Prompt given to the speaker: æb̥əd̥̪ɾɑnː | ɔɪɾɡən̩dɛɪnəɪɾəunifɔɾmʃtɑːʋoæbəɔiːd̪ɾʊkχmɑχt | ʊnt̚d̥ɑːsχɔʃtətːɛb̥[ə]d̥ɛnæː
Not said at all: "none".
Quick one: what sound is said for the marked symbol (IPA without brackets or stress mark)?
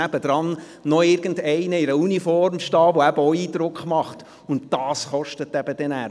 ə